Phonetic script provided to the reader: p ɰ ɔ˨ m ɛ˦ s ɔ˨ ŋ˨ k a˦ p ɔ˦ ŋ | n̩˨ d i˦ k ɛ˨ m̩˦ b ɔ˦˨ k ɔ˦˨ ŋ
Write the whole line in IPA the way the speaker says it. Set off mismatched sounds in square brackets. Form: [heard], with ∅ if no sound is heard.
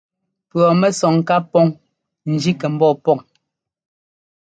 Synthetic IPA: p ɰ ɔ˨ m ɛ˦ s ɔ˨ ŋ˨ k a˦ p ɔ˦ ŋ | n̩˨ [d͡ʒ] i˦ k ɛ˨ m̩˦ b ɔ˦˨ [p] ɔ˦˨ ŋ